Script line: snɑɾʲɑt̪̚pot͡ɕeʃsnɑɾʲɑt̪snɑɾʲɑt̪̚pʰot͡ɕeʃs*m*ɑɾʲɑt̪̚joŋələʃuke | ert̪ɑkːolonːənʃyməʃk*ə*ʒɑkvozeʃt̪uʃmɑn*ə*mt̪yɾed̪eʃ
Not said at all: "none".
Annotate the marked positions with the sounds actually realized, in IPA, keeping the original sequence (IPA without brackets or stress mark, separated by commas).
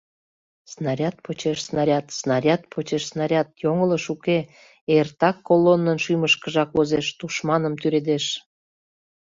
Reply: n, ə, ə